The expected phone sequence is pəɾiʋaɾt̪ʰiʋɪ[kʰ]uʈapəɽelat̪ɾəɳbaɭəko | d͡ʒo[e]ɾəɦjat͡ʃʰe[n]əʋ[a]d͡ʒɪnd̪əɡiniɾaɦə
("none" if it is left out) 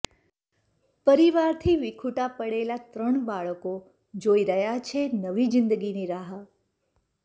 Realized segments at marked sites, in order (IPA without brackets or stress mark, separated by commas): kʰ, i, n, i